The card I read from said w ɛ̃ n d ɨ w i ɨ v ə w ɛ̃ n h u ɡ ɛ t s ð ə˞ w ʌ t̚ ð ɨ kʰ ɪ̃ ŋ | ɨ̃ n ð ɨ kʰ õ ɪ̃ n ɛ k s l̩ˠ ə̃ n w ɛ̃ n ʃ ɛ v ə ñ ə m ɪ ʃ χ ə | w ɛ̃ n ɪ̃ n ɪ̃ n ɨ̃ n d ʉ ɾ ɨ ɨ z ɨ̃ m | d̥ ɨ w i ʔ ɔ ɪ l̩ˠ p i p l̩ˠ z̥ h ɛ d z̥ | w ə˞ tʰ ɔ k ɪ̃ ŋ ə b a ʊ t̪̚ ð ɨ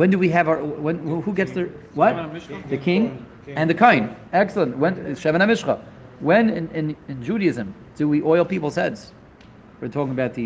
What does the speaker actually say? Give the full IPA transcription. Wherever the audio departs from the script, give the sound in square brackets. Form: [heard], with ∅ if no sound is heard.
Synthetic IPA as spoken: w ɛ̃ n d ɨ w i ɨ v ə w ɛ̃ n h u ɡ ɛ t s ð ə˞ w ʌ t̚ ð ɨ kʰ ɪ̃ ŋ | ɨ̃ n ð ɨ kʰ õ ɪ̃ n ɛ k s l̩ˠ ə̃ n w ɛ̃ n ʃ ɛ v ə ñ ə m ɪ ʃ χ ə | w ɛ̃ n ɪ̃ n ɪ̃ n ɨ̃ n [d͡ʒ] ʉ ɾ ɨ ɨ z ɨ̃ m | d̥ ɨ w i ʔ ɔ ɪ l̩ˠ p i p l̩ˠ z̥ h ɛ d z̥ | w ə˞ tʰ ɔ k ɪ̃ ŋ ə b a ʊ t̪̚ ð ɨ